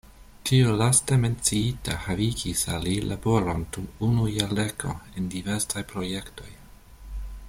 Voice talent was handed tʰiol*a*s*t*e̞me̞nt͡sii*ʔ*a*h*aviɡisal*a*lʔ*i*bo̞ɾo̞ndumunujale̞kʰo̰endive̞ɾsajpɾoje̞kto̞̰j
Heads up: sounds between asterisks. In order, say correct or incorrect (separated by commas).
correct, correct, incorrect, correct, incorrect, incorrect